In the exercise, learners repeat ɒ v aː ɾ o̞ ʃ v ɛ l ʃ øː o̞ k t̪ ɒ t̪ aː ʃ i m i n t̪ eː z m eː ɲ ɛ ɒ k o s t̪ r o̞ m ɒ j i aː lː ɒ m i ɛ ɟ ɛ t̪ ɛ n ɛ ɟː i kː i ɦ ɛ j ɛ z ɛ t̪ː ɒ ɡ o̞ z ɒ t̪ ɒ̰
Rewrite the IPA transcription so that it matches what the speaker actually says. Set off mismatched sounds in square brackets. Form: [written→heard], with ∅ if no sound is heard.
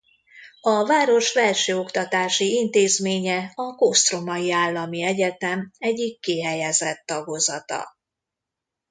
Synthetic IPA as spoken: ɒ v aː ɾ o̞ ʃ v ɛ l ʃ øː o̞ k t̪ ɒ t̪ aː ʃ i [m→∅] i n t̪ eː z m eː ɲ ɛ ɒ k o s t̪ r o̞ m ɒ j i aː lː ɒ m i ɛ ɟ ɛ t̪ ɛ [n→m] ɛ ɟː i kː i ɦ ɛ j ɛ z ɛ t̪ː ɒ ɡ o̞ z ɒ t̪ ɒ̰